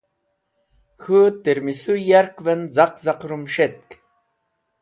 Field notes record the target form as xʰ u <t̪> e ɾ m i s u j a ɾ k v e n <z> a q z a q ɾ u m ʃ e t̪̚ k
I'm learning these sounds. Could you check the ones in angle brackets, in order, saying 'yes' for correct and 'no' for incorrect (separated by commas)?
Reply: yes, yes